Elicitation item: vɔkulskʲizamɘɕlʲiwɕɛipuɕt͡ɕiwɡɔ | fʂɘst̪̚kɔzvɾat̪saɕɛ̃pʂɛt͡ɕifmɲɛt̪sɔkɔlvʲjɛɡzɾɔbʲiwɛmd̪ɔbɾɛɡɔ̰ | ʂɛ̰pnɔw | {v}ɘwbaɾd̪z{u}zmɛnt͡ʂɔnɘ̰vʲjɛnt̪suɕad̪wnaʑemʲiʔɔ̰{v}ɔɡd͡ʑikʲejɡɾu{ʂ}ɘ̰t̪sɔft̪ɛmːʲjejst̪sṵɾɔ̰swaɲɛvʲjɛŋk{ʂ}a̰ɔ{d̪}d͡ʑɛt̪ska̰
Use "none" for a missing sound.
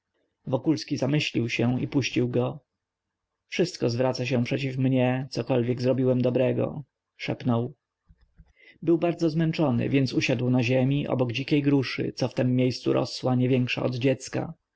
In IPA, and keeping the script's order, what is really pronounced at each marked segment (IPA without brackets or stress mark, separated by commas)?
b, ɔ, b, ʂ, ʂ, d̪